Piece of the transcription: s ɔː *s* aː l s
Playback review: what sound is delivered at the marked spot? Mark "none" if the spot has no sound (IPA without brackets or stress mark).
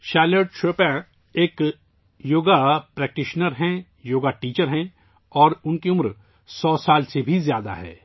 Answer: s